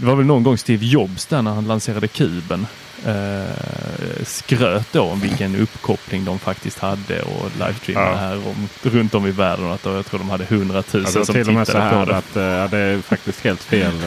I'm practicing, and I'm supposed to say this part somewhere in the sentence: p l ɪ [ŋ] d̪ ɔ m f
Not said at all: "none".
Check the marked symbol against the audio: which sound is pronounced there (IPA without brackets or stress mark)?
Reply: ŋ